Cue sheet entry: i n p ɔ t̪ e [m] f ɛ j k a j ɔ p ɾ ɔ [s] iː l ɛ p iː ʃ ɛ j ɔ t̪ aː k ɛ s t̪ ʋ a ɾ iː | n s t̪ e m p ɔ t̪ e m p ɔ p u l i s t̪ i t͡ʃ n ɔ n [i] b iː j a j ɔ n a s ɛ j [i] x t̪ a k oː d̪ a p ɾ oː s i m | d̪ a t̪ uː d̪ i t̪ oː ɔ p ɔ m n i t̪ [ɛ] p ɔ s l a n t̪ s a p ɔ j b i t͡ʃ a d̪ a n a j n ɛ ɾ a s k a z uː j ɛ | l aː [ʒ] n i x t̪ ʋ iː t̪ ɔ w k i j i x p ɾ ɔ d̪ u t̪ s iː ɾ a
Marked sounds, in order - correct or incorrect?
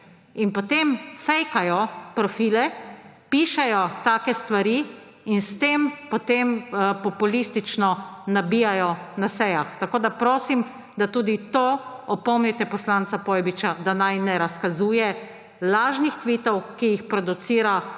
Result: correct, incorrect: f, incorrect: a, incorrect: a, correct, correct

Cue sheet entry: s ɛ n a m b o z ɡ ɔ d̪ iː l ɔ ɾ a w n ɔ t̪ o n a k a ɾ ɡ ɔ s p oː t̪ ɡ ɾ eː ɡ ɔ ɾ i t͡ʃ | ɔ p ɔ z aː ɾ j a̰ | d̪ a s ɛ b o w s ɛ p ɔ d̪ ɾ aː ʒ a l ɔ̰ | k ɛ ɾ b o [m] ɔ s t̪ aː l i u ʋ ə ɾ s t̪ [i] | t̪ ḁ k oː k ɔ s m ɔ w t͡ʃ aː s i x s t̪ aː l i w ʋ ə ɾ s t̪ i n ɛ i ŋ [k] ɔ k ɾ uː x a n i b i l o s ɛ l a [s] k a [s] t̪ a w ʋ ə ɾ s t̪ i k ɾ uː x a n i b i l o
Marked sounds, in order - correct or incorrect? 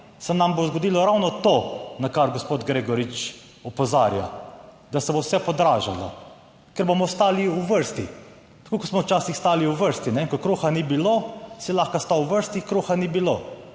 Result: correct, correct, correct, incorrect: x, correct

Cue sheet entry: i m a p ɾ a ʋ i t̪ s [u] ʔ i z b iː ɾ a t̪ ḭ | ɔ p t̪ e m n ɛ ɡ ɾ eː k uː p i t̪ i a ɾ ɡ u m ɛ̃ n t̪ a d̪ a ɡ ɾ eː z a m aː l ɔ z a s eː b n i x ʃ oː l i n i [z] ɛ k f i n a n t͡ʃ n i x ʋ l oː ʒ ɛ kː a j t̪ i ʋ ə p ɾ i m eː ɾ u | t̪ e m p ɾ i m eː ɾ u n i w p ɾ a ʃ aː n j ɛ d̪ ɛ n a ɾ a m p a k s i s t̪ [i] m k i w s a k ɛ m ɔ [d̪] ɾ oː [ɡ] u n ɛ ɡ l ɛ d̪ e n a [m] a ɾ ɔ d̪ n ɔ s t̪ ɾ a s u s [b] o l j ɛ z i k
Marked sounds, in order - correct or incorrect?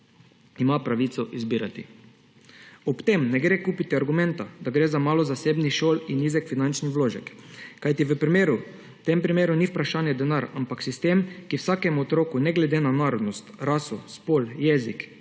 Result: incorrect: ɔ, correct, incorrect: e, incorrect: t̪, incorrect: k, incorrect: n, incorrect: p

